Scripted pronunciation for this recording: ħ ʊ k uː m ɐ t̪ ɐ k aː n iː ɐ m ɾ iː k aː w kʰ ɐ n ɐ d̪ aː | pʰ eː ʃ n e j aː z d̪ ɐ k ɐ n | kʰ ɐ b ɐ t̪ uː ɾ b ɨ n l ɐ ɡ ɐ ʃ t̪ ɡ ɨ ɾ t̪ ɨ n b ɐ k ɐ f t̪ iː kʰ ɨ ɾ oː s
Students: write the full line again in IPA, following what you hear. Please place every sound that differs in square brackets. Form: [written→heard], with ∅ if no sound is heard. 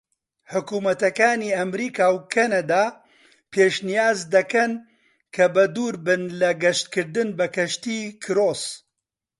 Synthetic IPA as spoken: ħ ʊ k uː m ɐ t̪ ɐ k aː n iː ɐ m ɾ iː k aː w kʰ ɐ n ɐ d̪ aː | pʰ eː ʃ n [e→i] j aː z d̪ ɐ k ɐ n | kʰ ɐ b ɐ [t̪→d̪] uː ɾ b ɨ n l ɐ ɡ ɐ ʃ t̪ [ɡ→k] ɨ ɾ [t̪→d̪] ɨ n b ɐ k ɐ [f→ʃ] t̪ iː kʰ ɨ ɾ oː s